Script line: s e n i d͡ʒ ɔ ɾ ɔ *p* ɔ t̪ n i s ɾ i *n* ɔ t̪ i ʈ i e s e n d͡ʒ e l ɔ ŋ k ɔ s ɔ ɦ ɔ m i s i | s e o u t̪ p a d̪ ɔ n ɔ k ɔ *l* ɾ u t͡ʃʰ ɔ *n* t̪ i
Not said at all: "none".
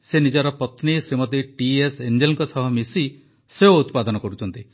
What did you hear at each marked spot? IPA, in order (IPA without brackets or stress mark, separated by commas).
p, m, none, n